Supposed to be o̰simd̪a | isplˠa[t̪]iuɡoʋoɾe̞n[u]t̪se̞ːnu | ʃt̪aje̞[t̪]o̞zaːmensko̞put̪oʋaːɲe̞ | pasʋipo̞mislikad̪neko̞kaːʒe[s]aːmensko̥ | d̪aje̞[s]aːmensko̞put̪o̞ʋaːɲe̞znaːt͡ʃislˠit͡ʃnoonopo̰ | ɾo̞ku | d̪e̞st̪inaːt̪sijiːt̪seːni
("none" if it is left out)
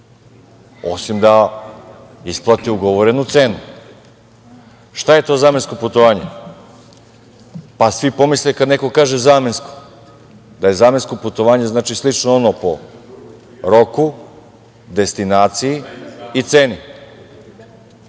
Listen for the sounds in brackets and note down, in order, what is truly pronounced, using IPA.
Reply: t̪, u, t̪, z, z

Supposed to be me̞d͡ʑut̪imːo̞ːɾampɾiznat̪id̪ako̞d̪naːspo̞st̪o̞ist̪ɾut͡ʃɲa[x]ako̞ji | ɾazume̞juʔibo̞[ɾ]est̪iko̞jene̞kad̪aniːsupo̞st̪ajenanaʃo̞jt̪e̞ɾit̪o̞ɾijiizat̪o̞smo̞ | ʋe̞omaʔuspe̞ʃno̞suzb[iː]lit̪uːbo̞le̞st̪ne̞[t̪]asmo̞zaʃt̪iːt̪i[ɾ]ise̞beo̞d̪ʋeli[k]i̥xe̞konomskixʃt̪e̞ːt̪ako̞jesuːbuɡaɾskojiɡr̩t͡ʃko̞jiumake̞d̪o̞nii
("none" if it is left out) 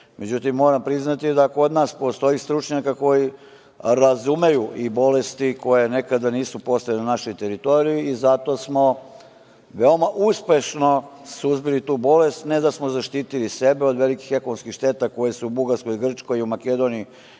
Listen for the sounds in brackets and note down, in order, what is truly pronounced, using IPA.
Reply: k, l, i, d̪, l, k

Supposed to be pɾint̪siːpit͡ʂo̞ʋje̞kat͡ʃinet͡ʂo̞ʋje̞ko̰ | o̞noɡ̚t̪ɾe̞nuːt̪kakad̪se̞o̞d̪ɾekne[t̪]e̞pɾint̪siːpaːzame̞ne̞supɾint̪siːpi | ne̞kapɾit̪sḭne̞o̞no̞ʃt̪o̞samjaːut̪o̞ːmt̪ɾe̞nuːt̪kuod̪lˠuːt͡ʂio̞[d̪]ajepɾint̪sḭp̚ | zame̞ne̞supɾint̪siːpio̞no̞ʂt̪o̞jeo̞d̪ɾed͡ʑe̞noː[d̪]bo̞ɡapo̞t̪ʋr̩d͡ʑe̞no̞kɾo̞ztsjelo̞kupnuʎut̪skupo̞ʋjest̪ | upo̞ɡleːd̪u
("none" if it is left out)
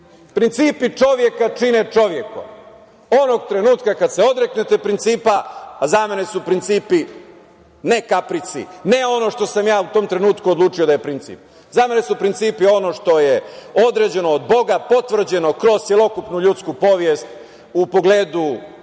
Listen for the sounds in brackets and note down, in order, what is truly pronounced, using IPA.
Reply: t̪, d̪, d̪

